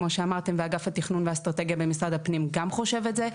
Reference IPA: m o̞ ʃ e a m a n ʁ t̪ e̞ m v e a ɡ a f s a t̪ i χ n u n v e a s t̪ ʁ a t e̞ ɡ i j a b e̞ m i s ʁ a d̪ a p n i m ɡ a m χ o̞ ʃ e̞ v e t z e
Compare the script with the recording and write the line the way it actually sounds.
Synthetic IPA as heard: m o̞ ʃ e a m a ʁ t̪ e̞ m v e a ɡ a f h a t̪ i χ n u n v e a s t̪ ʁ a t e̞ ɡ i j a b e̞ m i s ʁ a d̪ a p n i m ɡ a m χ o̞ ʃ e̞ v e t z e

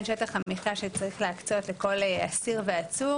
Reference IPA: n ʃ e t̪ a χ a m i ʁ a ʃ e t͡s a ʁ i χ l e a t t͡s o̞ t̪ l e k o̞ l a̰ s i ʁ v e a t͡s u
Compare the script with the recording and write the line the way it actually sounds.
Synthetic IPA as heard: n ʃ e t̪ a χ a m i χ a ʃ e t͡s a ʁ i χ l e a k t͡s o̞ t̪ l e k o̞ l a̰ s i ʁ v e a t͡s u

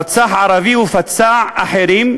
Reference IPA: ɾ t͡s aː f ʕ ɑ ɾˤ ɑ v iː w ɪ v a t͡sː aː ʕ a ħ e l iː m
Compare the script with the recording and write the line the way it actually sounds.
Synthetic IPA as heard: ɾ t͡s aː ħ ʕ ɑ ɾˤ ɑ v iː w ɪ f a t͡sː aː ʕ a ħ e ɾ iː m

